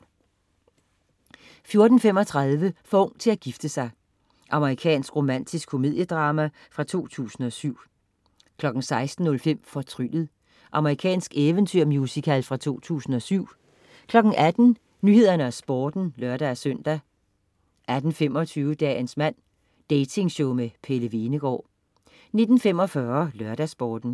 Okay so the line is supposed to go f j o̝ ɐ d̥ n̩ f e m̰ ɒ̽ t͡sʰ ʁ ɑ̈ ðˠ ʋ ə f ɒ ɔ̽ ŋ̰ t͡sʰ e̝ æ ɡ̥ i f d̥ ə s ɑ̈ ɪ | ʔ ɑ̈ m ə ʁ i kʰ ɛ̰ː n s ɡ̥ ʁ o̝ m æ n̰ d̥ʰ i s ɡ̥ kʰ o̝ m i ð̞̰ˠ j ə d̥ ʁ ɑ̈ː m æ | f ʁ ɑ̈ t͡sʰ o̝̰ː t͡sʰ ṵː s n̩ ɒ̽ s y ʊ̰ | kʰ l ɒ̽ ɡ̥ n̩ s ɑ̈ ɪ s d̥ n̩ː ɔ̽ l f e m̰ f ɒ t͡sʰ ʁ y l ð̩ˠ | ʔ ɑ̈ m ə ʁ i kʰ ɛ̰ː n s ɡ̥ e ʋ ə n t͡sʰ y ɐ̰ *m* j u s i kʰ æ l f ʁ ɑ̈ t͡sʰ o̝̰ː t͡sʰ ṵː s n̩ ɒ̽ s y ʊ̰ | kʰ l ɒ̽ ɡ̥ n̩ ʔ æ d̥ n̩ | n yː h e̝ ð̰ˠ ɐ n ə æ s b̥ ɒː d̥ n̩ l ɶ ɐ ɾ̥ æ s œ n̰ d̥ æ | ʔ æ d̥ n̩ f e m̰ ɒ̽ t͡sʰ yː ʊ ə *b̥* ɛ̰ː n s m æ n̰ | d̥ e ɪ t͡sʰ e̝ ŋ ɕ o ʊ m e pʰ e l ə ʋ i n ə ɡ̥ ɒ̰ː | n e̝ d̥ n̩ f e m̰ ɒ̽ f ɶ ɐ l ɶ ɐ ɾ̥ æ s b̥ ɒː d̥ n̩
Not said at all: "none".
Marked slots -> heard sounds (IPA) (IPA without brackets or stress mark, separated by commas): m, d̥